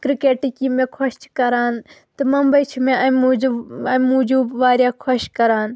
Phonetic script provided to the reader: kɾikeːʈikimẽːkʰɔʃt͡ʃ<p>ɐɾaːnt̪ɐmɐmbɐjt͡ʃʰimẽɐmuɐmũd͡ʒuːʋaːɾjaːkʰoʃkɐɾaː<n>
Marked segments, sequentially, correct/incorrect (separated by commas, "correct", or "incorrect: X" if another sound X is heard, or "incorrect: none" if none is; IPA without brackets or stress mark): incorrect: k, correct